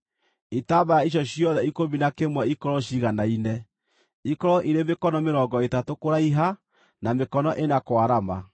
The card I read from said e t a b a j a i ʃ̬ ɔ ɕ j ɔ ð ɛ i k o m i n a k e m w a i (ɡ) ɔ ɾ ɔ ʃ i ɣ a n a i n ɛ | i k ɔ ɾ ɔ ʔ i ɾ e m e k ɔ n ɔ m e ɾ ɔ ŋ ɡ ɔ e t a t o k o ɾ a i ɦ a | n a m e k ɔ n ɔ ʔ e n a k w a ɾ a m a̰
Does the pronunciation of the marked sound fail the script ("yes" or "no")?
yes